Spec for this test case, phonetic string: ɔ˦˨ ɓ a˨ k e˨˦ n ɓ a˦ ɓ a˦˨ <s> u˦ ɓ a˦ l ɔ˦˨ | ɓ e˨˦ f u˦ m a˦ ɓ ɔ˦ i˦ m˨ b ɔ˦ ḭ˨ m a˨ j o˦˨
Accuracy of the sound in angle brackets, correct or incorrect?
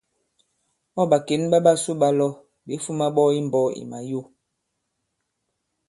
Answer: correct